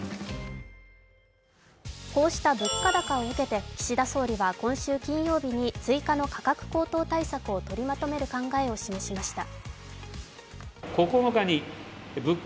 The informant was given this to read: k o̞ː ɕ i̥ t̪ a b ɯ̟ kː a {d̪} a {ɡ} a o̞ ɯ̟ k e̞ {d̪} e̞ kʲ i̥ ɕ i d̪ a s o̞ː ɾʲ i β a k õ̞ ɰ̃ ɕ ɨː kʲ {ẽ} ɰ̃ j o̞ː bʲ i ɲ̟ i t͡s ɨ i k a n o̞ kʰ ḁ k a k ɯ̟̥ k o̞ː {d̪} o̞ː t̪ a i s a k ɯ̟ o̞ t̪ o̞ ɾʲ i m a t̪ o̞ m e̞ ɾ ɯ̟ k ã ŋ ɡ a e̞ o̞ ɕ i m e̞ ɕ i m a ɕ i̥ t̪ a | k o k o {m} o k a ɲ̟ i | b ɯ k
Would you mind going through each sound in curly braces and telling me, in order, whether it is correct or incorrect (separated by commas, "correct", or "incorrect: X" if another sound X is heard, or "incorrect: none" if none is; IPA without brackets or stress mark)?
correct, incorrect: k, incorrect: t̪, incorrect: ĩ, incorrect: t̪, incorrect: n